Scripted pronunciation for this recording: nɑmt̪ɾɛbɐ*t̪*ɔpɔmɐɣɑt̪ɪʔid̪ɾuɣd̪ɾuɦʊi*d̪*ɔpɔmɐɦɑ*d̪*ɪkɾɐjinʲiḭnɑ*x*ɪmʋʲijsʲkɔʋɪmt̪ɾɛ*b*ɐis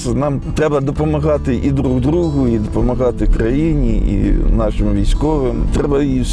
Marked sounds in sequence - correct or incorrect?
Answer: incorrect, correct, incorrect, incorrect, correct

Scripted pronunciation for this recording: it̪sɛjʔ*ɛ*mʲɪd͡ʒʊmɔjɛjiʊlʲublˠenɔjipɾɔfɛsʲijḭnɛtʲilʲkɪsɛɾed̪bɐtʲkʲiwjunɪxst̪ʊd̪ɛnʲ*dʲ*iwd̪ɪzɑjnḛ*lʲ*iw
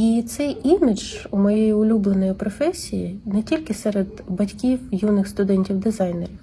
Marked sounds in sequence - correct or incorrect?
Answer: incorrect, incorrect, incorrect

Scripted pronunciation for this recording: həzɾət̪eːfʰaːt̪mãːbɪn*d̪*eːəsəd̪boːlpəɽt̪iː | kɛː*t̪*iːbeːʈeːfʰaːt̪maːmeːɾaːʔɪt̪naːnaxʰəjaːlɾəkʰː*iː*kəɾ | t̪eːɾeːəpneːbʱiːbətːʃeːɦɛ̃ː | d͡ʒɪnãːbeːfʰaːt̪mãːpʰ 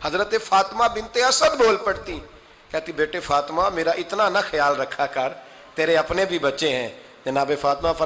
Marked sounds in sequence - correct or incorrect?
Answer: incorrect, correct, incorrect

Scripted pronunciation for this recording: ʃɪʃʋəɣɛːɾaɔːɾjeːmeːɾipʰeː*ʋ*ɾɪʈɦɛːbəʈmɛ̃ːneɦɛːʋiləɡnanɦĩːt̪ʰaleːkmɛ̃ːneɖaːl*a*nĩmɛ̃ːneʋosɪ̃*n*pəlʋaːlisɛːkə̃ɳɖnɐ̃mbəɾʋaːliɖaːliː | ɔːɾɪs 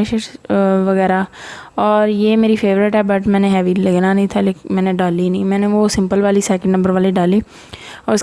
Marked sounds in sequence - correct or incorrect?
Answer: correct, incorrect, incorrect

